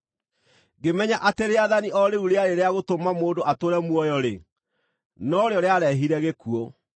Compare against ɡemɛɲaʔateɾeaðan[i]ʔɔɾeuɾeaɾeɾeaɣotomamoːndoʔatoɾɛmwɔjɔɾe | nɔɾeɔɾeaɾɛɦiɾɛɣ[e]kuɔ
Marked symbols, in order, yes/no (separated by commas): yes, yes